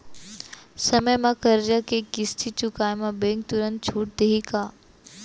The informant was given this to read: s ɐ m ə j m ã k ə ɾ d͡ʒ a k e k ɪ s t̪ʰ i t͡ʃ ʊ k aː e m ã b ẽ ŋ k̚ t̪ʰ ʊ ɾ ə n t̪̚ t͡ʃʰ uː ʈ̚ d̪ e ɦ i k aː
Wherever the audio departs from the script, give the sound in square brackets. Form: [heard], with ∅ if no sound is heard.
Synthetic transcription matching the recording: s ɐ m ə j m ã k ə ɾ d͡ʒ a k e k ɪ s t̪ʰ i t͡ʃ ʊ k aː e m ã b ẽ ŋ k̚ [t̪] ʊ ɾ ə n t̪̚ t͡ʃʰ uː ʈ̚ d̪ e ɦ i k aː